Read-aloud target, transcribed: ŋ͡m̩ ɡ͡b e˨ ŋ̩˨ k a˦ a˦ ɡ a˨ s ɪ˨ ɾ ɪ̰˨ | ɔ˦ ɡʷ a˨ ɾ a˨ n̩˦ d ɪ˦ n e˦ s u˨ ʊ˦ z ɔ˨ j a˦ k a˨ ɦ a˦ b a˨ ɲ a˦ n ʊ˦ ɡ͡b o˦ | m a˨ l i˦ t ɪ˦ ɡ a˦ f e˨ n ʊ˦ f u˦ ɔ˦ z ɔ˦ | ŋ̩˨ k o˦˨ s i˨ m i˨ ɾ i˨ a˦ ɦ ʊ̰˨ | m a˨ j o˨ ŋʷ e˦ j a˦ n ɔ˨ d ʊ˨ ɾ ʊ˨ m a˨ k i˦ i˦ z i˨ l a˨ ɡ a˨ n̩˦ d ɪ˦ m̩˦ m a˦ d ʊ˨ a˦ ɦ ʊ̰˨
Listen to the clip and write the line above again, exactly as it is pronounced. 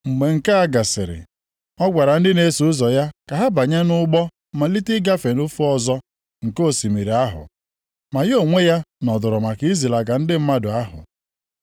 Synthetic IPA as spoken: ŋ͡m̩ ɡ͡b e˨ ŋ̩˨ k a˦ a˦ ɡ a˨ s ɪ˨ ɾ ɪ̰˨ | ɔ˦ ɡʷ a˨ ɾ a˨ n̩˦ d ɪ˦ n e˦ s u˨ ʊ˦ z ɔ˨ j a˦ k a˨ ɦ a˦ b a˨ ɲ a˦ n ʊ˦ ɡ͡b ɔ˦ | m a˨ l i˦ t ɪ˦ ɡ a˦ f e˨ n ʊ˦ f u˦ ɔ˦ z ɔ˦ | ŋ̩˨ k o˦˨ s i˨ m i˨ ɾ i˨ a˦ ɦ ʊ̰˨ | m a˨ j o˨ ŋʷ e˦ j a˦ n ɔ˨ d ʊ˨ ɾ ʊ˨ m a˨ k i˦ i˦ z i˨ l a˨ ɡ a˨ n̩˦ d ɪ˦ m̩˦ m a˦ d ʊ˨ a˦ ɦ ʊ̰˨